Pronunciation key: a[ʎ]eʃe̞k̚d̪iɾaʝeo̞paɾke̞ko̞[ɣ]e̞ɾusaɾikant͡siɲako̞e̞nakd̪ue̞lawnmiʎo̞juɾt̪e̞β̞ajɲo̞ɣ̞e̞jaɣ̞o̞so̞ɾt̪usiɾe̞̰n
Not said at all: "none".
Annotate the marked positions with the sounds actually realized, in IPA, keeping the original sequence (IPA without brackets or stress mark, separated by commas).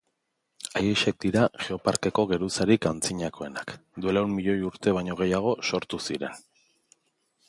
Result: j, ɣ